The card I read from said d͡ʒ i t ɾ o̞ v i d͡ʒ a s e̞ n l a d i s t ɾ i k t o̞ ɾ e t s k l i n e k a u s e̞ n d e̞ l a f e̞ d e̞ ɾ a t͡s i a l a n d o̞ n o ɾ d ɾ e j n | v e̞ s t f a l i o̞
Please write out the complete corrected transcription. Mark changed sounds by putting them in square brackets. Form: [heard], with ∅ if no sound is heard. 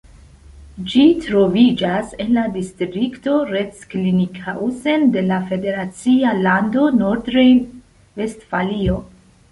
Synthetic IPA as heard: d͡ʒ i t ɾ o̞ v i d͡ʒ a s e̞ n l a d i s t ɾ i k t o̞ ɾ e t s k l i n [i] k a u s e̞ n d e̞ l a f e̞ d e̞ ɾ a t͡s i a l a n d o̞ n o ɾ d ɾ e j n | v e̞ s t f a l i o̞